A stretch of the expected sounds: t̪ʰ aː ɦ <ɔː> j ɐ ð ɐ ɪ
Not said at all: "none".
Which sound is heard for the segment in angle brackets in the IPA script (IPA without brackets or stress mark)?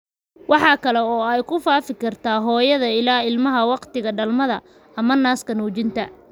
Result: ɔː